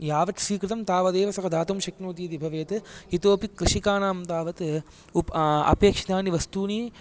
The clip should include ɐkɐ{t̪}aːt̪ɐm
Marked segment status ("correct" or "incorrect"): incorrect